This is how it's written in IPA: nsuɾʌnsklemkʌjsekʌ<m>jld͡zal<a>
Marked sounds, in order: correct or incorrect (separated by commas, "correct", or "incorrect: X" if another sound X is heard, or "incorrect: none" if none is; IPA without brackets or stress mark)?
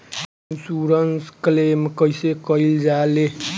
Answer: incorrect: none, incorrect: e